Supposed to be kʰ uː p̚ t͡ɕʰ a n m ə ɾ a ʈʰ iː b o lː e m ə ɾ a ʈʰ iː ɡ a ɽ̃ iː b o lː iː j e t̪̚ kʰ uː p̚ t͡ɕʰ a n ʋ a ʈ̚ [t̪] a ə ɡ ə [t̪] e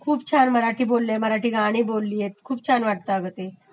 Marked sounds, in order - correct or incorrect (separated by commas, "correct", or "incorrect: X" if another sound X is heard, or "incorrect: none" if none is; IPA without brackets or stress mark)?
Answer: correct, correct